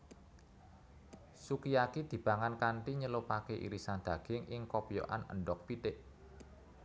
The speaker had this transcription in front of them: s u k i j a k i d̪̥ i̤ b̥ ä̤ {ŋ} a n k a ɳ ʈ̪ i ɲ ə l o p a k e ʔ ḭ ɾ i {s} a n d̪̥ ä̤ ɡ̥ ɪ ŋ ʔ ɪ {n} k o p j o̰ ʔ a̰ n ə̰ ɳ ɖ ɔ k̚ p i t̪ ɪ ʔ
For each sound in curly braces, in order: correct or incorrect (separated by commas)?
correct, correct, incorrect